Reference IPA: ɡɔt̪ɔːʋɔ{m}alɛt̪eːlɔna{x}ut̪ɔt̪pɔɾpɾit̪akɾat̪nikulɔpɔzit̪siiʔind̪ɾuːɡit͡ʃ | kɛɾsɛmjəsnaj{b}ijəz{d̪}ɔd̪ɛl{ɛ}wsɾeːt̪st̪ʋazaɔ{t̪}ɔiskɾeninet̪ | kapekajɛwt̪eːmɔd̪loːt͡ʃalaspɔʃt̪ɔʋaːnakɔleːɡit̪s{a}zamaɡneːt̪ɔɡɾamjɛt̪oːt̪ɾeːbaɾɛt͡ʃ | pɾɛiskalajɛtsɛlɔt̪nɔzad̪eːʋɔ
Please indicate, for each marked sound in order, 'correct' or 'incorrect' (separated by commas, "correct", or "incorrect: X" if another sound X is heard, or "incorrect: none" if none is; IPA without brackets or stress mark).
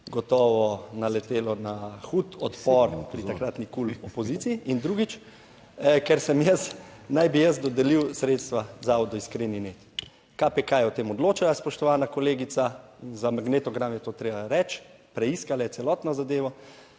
incorrect: n, correct, correct, correct, incorrect: i, incorrect: d̪, correct